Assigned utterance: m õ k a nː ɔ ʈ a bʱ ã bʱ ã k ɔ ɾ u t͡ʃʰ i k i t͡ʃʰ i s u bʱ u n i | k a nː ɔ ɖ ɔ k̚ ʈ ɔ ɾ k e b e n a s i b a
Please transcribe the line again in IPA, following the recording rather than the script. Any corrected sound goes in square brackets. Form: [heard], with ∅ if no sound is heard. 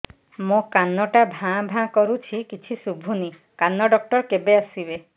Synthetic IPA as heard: m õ k a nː ɔ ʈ a bʱ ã bʱ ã k ɔ ɾ u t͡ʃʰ i k i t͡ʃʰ i s u bʱ u n i | k a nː ɔ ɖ ɔ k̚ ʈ ɔ ɾ k e b e [∅] a s i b [e]

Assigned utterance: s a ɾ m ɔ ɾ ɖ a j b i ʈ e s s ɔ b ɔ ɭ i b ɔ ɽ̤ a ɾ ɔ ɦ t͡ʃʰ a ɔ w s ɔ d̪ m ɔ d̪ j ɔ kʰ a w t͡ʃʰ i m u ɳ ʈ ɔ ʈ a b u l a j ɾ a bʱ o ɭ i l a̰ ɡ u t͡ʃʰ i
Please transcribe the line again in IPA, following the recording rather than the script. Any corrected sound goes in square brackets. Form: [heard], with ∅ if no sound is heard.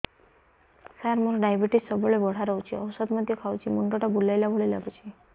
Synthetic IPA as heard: s a ɾ m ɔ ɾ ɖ a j b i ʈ [i] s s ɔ b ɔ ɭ [e] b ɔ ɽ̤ a ɾ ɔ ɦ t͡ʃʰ [i] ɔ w s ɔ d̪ m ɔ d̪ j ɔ kʰ a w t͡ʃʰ i m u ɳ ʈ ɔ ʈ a b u l a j [l] a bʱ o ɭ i l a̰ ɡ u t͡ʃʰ i

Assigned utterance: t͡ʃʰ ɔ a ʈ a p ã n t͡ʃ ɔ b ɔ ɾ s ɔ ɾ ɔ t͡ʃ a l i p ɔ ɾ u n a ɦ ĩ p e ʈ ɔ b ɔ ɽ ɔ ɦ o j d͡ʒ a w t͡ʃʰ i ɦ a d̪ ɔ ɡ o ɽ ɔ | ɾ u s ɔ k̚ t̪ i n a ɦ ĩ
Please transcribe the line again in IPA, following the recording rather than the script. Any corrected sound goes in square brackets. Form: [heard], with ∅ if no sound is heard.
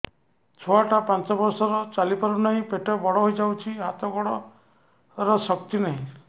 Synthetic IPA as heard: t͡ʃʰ ɔ a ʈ a p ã n t͡ʃ ɔ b ɔ ɾ s ɔ ɾ ɔ t͡ʃ a l i p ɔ ɾ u n a ɦ ĩ p e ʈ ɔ b ɔ ɽ ɔ ɦ o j d͡ʒ a w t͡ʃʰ i ɦ a [t̪] ɔ ɡ [ɔ] ɽ ɔ | ɾ [ɔ] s ɔ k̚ t̪ i n a ɦ ĩ

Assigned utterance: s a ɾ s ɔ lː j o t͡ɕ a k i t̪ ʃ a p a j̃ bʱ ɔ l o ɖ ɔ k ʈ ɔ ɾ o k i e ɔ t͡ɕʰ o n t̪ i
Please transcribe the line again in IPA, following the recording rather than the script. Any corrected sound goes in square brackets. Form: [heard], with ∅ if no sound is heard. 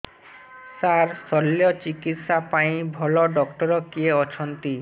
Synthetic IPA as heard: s a ɾ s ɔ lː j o t͡ɕ [i] k i t̪ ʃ a p a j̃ bʱ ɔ l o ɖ ɔ k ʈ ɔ ɾ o k i e ɔ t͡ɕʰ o n t̪ i

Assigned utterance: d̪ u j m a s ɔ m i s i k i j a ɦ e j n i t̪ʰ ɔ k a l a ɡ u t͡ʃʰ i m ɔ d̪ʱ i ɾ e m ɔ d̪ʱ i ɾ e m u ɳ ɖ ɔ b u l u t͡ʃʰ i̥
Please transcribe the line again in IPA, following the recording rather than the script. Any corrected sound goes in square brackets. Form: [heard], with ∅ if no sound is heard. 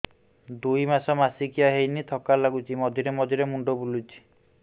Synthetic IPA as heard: d̪ u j m a s ɔ m [a] s i k i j a ɦ e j n i t̪ʰ ɔ k a l a ɡ u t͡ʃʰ i m ɔ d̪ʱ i ɾ e m ɔ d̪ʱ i ɾ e m u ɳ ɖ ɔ b u l u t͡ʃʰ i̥

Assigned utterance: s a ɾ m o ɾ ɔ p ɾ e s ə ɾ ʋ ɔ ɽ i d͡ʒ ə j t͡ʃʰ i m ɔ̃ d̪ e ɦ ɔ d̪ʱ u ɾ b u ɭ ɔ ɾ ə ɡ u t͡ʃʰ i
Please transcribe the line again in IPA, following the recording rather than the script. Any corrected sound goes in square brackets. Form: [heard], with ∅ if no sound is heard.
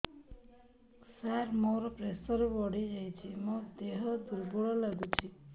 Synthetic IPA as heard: s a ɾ m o ɾ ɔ p ɾ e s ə ɾ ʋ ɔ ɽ i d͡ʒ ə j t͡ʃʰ i m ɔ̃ d̪ e ɦ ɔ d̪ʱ u ɾ b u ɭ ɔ [l] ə ɡ u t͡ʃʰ i

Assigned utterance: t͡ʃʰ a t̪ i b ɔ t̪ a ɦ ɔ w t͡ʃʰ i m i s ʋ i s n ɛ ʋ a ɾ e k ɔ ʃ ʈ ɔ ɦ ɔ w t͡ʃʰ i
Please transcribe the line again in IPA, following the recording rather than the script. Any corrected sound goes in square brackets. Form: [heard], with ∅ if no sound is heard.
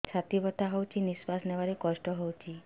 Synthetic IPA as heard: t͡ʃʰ a t̪ i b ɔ t̪ a ɦ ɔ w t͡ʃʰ i [n] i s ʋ [a] s n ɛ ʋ a ɾ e k ɔ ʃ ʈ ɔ ɦ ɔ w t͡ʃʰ i

